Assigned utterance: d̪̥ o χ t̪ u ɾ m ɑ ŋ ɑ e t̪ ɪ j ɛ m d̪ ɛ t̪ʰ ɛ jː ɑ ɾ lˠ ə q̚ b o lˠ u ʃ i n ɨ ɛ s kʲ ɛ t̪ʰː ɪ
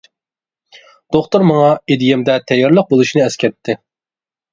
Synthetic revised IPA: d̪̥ o χ t̪ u ɾ m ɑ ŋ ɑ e d̪ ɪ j ɛ m d̪ ɛ t̪ʰ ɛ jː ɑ ɾ lˠ ə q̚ b o lˠ u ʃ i n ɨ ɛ s kʲ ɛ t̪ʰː ɪ